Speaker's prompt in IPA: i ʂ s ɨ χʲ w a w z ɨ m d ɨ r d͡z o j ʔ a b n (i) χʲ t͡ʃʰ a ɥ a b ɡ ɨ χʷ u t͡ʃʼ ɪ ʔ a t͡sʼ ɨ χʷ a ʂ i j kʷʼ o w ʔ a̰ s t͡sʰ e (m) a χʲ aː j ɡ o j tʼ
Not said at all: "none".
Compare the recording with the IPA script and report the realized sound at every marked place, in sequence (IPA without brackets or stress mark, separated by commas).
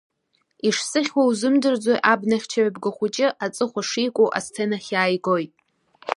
a, n